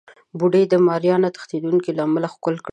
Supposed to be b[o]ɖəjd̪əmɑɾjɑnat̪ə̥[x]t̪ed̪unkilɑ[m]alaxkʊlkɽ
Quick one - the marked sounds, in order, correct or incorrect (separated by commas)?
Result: incorrect, correct, correct